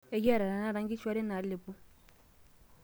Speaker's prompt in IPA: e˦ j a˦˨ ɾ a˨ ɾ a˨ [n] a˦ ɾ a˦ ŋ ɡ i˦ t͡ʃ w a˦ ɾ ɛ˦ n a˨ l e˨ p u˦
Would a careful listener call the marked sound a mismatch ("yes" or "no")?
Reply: no